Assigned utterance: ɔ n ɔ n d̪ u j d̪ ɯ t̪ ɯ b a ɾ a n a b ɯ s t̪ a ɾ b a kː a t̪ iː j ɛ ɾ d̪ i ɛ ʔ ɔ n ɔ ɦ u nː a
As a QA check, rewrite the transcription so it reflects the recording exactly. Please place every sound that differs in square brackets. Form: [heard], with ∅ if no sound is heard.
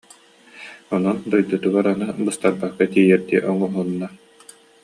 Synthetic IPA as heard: ɔ n ɔ n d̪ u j d̪ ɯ t̪ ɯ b a ɾ a n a b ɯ s t̪ a ɾ b a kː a t̪ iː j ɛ ɾ d̪ i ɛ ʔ ɔ [ŋ] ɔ ɦ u nː a

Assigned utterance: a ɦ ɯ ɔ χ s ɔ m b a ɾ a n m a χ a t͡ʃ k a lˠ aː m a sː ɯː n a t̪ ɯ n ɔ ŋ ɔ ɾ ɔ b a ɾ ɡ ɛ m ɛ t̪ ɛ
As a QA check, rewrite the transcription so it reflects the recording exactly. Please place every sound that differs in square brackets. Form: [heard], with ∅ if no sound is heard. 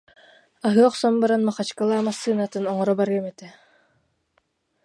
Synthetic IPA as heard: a ɦ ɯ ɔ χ s ɔ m b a ɾ a n m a χ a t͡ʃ k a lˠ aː m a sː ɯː n a t̪ ɯ n ɔ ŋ ɔ ɾ ɔ b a ɾ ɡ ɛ m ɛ t̪ ɛ

